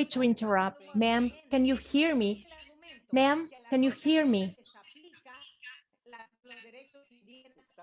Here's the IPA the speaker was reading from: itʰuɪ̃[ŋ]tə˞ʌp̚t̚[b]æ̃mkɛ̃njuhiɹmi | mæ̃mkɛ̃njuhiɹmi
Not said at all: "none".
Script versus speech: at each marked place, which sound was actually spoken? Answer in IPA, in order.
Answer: n, m

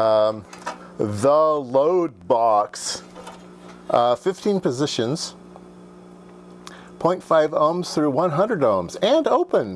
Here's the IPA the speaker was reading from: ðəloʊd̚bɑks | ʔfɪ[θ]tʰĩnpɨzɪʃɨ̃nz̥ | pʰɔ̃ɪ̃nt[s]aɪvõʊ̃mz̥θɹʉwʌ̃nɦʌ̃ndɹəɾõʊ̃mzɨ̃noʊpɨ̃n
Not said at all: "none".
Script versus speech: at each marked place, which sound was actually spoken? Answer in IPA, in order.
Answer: f, f

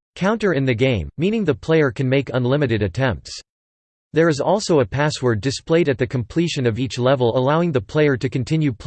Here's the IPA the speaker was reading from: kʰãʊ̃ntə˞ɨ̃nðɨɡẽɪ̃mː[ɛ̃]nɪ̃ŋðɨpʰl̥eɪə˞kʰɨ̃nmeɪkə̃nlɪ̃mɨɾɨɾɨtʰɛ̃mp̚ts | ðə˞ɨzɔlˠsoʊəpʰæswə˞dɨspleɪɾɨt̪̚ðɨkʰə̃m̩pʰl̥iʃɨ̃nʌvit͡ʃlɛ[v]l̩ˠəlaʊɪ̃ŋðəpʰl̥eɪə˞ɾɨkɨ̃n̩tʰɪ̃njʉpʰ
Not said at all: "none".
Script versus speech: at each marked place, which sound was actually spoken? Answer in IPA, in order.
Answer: ĩ, v

